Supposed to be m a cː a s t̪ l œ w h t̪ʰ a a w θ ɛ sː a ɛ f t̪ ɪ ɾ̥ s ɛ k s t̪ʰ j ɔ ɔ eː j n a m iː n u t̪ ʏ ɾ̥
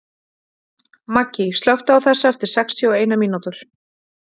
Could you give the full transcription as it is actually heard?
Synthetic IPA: m a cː i s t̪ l œ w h t̪ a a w θ ɛ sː a ɛ f t̪ ɪ ɾ̥ s ɛ k s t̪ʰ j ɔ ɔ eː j n a m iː n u t̪ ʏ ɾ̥